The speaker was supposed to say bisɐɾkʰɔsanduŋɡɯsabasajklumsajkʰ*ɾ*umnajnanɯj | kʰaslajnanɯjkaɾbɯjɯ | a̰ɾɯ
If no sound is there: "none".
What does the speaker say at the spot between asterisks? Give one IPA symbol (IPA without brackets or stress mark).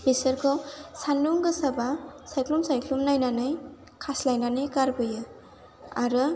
l